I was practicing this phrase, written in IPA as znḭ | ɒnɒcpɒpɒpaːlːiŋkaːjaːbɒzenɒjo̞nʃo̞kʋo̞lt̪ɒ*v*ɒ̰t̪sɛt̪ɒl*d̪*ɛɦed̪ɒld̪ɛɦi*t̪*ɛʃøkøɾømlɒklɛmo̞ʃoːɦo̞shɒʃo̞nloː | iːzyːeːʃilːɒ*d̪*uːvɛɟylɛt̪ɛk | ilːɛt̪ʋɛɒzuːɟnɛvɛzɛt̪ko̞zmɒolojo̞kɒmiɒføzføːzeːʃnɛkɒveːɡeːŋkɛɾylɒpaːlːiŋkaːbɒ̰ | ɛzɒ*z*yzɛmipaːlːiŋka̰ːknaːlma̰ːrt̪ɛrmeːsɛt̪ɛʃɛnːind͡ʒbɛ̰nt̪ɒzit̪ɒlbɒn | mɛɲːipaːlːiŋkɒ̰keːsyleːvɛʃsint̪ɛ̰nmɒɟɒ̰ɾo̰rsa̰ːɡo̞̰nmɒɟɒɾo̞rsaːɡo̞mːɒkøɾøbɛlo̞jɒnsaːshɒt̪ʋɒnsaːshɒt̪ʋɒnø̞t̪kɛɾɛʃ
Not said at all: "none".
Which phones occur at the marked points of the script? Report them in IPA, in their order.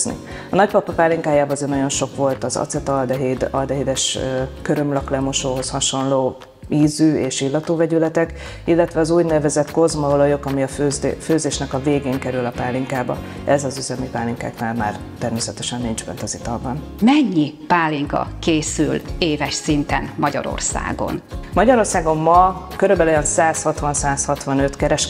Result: z, d̪, d̪, t̪, z

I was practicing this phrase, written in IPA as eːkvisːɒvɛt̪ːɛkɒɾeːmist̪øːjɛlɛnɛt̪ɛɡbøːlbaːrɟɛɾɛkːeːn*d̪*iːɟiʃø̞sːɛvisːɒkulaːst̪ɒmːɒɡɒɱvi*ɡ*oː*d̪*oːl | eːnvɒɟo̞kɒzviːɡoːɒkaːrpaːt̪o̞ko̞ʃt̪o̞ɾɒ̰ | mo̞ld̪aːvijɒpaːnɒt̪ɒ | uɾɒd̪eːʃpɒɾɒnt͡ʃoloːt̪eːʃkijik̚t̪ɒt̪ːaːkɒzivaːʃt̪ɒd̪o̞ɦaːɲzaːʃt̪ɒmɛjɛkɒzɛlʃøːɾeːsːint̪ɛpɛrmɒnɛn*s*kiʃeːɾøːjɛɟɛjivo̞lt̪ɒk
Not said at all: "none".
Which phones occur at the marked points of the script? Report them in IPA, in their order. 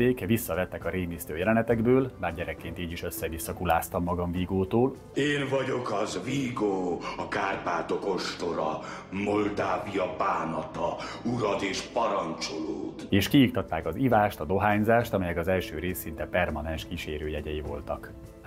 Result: t̪, ɡ, t̪, ʃ

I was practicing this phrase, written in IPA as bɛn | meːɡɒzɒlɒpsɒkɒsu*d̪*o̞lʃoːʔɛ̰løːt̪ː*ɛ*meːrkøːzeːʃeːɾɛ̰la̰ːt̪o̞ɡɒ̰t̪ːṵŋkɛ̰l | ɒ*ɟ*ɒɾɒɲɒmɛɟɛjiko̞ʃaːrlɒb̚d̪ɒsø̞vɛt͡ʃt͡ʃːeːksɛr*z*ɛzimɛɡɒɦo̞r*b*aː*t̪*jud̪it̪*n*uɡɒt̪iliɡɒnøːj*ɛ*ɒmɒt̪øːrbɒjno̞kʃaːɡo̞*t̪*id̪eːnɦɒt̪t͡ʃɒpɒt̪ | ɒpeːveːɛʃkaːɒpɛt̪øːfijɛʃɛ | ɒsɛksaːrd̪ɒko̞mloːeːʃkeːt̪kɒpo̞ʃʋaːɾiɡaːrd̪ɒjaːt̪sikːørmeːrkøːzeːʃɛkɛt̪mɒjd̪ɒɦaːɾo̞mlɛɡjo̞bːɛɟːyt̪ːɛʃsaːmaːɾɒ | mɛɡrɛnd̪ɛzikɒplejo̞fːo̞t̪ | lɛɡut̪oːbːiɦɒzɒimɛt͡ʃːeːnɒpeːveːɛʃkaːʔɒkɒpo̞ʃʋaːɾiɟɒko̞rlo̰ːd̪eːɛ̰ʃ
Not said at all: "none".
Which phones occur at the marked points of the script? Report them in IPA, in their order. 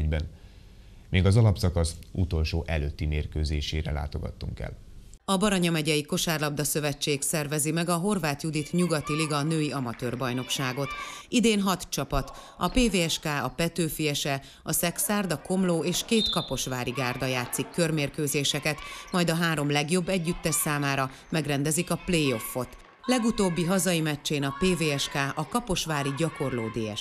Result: t̪, i, b, v, v, t̪, ɲ, i, t̪

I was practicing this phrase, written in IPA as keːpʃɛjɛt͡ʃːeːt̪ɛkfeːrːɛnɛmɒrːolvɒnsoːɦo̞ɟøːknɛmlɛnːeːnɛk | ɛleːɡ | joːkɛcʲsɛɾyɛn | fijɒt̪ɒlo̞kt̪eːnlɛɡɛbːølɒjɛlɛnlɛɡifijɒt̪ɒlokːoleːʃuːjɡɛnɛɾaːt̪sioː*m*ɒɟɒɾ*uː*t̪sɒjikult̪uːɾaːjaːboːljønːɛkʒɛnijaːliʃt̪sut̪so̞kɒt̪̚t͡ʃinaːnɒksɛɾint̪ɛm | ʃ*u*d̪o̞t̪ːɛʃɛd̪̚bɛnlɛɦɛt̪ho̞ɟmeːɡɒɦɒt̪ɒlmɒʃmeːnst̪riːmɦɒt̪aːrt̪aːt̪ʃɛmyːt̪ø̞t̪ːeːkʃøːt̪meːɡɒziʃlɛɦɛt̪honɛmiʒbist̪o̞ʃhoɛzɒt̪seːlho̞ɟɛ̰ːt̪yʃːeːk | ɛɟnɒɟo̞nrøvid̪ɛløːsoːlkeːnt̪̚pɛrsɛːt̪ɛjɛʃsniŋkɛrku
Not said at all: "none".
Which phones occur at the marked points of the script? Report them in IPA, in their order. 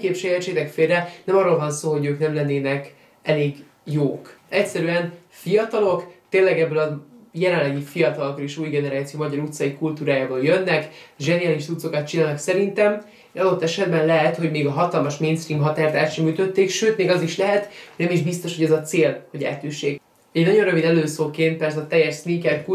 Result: m, u, ɒ

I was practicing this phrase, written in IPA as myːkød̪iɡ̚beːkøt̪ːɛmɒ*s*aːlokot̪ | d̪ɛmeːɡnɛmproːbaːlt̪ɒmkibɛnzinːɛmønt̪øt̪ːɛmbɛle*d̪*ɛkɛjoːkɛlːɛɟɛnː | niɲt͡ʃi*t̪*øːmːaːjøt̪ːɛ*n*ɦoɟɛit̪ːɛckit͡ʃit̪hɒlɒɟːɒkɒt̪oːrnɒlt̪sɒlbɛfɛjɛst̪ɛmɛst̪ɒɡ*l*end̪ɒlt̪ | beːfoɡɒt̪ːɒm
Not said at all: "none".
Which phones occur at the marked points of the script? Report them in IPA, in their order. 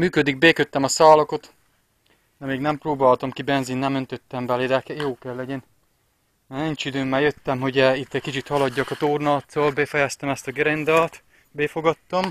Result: s, d̪, d̪, m, ɾ

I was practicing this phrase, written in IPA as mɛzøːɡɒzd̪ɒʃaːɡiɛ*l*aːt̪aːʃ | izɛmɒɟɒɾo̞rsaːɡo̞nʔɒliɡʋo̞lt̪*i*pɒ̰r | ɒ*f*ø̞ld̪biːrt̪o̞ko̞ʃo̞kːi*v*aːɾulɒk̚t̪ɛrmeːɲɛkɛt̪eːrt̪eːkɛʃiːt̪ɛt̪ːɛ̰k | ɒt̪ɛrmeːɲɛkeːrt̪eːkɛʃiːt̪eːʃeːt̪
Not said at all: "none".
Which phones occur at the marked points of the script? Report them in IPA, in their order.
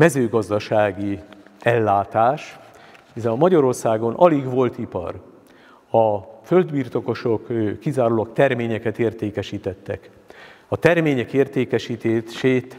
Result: lː, i, f, z

